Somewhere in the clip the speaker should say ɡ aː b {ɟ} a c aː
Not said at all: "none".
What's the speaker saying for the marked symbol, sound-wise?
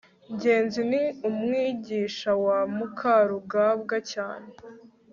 ɡ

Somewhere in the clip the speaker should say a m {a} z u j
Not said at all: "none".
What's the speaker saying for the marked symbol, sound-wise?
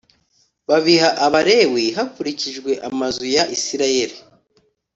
a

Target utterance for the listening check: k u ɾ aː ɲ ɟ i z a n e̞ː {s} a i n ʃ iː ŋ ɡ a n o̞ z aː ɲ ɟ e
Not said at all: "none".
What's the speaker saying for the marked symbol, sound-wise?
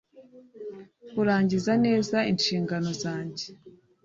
z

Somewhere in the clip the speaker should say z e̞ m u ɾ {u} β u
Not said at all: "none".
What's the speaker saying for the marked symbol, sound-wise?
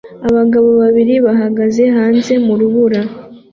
u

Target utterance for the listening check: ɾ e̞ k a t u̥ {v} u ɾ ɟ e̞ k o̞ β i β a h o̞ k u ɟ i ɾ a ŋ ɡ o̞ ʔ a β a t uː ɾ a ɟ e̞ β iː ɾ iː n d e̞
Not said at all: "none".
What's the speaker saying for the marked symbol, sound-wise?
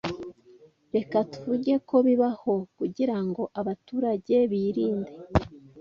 v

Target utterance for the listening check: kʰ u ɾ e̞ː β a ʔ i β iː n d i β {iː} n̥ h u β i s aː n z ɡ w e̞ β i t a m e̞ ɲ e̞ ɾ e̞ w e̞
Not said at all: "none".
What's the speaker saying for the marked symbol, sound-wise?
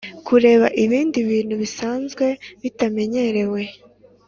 iː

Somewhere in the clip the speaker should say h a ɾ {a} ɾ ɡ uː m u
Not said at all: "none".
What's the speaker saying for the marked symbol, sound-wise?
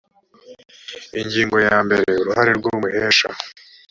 e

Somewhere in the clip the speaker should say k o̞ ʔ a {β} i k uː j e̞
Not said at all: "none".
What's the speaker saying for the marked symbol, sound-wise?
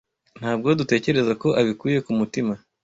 β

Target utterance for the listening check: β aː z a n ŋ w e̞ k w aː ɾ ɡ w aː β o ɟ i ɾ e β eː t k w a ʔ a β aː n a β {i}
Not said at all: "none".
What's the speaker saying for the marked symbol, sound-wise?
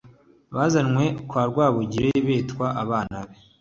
e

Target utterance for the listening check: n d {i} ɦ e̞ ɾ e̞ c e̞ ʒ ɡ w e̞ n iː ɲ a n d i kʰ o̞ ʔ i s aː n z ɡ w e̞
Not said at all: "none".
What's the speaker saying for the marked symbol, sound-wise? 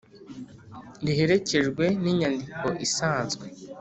i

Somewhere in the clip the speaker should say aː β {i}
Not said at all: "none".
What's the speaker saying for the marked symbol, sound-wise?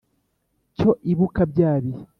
i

